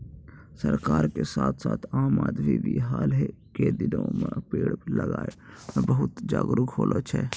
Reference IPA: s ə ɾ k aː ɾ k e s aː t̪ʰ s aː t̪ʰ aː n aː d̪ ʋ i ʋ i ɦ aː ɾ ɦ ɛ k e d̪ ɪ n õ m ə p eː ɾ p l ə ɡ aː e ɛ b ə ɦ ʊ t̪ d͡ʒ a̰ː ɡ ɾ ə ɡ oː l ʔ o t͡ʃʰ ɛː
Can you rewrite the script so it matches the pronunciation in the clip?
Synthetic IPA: s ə ɾ k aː ɾ k e s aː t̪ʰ s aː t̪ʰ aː m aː d̪ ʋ i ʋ i ɦ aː l ɦ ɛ k e d̪ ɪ n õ m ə p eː ɽ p l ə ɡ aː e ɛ b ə ɦ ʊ t̪ d͡ʒ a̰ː ɡ ɾ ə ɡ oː l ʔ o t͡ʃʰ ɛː